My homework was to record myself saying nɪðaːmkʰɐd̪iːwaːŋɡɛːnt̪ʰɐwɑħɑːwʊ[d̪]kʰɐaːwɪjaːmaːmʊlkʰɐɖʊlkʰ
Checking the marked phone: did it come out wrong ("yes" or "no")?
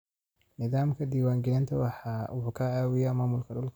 yes